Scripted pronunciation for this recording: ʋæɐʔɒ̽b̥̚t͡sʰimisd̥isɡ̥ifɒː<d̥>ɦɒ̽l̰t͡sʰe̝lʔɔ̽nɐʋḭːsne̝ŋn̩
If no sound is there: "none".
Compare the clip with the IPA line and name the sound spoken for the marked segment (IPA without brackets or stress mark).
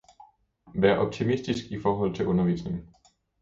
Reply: none